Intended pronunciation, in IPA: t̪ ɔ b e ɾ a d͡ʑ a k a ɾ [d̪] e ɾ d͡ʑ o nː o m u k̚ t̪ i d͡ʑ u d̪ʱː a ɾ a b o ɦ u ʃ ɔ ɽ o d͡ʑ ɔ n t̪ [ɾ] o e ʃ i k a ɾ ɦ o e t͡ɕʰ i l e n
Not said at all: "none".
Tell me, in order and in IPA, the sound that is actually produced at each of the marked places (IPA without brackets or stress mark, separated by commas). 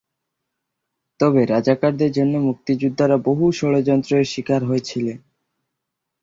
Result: d̪, ɾ